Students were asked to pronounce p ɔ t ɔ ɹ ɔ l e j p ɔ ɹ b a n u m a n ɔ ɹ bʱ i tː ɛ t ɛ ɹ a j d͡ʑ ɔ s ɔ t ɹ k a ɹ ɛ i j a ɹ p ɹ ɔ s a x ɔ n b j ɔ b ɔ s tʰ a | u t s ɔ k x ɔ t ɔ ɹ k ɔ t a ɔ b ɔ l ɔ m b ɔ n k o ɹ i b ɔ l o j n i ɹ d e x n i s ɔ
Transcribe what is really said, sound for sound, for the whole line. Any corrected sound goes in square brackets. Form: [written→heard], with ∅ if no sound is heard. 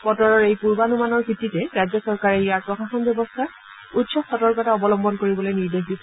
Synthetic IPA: p ɔ t ɔ ɹ ɔ [l→ɹ] e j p [ɔ→u] ɹ b a n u m a n ɔ ɹ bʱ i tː [ɛ→i] t ɛ ɹ a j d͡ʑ ɔ s ɔ [t→∅] ɹ k a ɹ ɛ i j a ɹ p ɹ ɔ [s→x] a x ɔ n b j ɔ b ɔ s tʰ a | u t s ɔ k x ɔ t ɔ ɹ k ɔ t a ɔ b ɔ l ɔ m b ɔ n k o ɹ i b ɔ l o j n i ɹ d e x [n→d] i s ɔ